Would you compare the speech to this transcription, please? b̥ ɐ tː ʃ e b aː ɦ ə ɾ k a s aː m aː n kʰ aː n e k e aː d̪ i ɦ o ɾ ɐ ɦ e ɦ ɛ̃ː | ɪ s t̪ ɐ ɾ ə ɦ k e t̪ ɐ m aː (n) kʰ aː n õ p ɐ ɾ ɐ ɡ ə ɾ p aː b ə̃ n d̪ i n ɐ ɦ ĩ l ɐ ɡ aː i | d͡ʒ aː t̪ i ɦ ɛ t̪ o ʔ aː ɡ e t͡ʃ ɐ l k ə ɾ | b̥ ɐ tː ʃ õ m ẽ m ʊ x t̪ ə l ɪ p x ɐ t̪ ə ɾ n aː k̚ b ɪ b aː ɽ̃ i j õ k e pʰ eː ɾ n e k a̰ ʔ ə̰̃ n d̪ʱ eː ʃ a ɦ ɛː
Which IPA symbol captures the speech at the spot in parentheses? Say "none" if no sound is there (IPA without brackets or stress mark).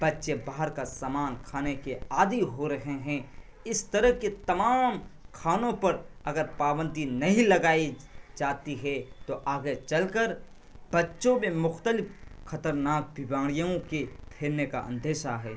m